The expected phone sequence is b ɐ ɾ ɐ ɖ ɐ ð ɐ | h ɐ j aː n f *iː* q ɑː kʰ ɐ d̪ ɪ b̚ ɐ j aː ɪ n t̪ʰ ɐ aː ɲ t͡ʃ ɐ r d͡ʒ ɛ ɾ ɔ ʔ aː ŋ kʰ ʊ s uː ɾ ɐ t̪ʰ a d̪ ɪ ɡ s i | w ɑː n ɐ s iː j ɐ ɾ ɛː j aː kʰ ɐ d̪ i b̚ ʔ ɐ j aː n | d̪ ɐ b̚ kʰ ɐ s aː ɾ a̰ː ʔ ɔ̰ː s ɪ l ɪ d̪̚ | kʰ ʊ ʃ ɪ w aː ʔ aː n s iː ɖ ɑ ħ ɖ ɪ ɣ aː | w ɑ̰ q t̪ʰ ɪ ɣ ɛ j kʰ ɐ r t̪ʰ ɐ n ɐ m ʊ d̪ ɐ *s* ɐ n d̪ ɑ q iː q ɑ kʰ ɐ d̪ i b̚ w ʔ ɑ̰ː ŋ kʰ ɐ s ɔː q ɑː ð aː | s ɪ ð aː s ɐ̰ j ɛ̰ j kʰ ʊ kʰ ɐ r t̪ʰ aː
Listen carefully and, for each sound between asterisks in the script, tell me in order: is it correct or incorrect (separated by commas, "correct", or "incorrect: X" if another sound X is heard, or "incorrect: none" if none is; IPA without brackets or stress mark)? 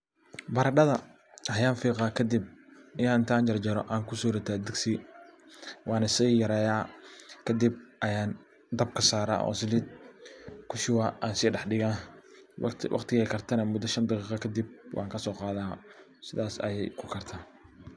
correct, incorrect: ʃ